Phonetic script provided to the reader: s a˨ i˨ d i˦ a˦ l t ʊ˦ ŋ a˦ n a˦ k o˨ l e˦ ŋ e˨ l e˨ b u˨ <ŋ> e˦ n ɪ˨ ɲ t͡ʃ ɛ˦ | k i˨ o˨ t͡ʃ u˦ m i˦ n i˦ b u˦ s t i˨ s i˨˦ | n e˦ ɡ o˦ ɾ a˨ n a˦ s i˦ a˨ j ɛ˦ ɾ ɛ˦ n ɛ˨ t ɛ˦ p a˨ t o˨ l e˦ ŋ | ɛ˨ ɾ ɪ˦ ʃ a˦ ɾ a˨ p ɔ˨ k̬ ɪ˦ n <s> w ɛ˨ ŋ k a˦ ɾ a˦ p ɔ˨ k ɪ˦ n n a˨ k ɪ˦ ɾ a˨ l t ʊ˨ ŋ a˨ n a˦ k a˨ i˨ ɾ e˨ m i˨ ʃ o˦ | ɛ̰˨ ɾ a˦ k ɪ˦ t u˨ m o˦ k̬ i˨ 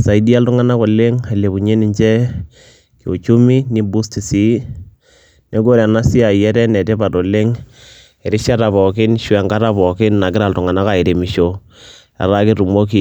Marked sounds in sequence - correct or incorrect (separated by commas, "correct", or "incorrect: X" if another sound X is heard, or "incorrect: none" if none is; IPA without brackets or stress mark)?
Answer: incorrect: ɲ, incorrect: ʃ